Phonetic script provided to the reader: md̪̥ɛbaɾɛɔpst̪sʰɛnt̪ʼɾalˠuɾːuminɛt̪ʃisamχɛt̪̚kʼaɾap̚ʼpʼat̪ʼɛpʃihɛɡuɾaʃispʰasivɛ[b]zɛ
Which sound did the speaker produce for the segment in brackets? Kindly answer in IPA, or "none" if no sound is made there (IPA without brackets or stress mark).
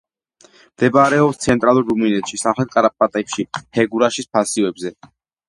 b